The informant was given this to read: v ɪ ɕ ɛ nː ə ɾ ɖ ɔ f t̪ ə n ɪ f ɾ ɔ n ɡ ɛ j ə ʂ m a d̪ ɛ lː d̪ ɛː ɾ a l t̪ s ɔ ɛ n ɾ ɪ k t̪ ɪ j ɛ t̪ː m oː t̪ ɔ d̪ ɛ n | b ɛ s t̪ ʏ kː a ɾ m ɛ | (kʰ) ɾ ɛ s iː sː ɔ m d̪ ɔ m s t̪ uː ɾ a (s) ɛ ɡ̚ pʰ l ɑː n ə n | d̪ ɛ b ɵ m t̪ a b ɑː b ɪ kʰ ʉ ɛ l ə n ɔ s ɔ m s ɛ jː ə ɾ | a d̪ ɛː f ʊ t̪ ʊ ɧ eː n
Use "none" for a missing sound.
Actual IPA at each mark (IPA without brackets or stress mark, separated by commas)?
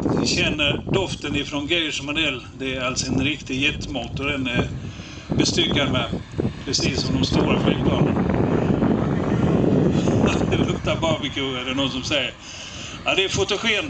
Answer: pʰ, f